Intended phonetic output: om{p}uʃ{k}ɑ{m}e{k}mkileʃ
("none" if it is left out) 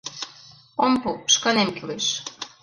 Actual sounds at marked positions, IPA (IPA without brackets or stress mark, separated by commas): p, k, n, none